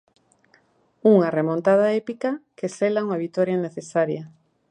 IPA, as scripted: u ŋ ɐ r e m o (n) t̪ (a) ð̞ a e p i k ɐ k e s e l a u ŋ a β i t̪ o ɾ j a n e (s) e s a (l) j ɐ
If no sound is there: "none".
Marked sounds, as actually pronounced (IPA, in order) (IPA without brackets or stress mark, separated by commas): n, a, θ, ɾ